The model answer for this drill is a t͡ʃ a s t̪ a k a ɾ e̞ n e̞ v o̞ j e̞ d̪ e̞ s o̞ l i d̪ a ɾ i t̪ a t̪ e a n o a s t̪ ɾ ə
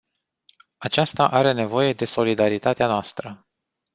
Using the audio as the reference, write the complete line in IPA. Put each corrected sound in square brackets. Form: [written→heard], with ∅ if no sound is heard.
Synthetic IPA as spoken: a t͡ʃ a s t̪ a [k→ʔ] a ɾ e̞ n e̞ v o̞ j e̞ d̪ e̞ s o̞ l i d̪ a ɾ i t̪ a t̪ e a n o a s t̪ ɾ ə